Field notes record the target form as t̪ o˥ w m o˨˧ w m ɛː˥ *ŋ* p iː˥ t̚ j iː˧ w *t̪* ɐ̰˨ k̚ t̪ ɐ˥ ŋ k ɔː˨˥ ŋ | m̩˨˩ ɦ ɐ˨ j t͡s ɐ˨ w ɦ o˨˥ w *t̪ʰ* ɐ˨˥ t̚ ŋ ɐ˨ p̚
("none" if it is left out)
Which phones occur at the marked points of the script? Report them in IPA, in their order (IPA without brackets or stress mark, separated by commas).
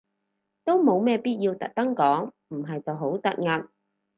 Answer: none, t̪, t̪